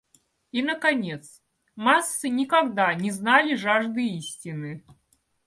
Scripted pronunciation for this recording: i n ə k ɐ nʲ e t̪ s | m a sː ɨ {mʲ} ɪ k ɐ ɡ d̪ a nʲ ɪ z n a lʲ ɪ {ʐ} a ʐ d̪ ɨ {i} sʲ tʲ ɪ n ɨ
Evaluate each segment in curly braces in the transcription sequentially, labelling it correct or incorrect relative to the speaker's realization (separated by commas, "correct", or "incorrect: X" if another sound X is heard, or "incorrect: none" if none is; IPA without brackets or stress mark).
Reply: incorrect: nʲ, correct, correct